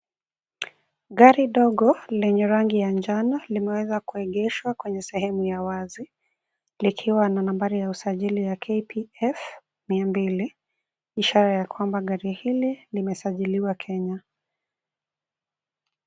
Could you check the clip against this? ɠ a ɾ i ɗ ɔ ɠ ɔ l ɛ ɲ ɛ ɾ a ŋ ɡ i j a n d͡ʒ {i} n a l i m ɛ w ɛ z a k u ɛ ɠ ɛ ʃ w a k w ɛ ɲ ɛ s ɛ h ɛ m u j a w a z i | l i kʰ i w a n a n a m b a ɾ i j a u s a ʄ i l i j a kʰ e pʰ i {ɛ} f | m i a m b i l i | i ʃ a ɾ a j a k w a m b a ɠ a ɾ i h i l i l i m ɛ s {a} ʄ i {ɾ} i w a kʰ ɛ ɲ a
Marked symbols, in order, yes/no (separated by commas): no, yes, yes, no